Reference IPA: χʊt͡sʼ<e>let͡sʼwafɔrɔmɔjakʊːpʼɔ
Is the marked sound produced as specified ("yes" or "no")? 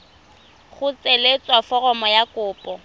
yes